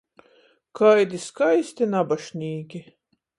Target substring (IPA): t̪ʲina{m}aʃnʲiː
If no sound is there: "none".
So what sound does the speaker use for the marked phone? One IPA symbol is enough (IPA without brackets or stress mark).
b